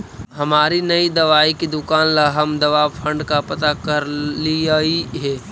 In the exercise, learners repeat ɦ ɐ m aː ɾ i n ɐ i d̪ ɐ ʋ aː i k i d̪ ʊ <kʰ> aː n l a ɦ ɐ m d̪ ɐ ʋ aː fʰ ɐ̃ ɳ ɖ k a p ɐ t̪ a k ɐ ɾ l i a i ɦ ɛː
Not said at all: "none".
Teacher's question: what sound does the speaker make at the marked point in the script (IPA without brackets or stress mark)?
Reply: k